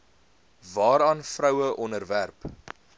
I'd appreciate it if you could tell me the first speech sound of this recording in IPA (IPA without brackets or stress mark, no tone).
v